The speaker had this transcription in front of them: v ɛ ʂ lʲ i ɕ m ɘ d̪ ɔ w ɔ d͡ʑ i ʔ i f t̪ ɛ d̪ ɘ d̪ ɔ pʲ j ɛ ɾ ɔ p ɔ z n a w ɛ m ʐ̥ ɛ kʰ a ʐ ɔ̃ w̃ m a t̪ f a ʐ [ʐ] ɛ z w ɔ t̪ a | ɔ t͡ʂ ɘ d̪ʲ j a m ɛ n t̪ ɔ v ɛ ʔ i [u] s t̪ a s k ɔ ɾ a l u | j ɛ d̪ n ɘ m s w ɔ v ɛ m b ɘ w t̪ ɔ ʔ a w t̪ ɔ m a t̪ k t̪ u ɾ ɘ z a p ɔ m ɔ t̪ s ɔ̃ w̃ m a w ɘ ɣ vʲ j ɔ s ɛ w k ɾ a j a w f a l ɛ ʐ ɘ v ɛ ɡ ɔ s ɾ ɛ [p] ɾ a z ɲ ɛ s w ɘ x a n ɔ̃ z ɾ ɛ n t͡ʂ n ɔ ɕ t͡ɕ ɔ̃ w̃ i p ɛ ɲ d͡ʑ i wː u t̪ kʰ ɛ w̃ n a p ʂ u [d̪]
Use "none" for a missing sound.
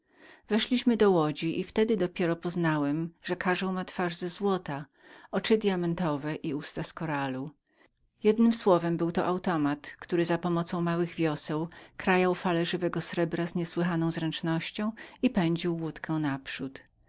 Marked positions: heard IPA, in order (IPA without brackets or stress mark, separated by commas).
z, u, b, t̪